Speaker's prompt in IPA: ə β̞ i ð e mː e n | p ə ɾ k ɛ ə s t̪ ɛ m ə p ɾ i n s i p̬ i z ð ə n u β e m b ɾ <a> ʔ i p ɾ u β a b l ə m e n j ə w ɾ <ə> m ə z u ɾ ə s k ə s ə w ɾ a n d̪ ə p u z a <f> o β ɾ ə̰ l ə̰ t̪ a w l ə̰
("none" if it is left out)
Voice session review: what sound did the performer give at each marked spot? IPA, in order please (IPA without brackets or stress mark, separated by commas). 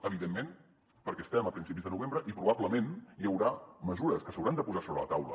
ə, a, s